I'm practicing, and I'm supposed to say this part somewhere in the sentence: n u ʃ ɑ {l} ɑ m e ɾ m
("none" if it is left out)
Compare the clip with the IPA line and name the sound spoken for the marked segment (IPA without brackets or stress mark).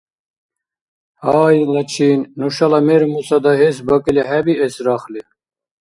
l